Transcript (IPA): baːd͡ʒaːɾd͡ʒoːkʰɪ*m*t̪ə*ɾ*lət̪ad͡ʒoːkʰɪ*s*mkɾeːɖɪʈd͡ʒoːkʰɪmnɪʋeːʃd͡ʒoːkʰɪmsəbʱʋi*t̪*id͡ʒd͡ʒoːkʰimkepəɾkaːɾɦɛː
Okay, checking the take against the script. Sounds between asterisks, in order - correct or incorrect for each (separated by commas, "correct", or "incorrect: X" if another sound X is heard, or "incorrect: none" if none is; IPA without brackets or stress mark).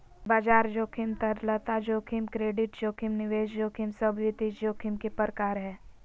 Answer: correct, correct, incorrect: none, correct